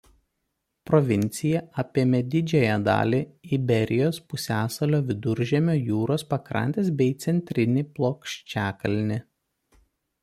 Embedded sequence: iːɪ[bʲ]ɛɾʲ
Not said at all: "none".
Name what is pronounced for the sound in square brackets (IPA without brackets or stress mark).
bʲ